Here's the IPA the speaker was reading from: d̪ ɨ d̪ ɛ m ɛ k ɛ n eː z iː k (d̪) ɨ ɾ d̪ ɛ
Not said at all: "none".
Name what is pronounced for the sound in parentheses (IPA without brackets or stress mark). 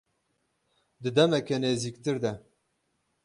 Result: t̪